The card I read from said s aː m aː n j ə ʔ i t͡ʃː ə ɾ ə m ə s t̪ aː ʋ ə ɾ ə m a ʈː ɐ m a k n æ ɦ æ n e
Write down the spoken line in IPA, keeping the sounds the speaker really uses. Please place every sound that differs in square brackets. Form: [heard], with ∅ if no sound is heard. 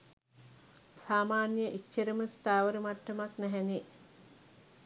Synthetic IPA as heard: s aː m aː n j ə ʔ i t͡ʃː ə ɾ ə m ə s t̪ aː ʋ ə ɾ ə m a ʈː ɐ m a k n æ ɦ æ n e